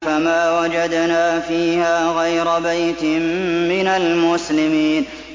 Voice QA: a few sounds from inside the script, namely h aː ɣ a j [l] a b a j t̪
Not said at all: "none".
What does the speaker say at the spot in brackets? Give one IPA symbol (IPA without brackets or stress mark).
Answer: ɾ